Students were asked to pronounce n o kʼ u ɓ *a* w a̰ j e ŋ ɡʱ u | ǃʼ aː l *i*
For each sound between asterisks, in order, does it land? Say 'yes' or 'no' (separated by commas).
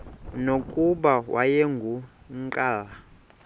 yes, no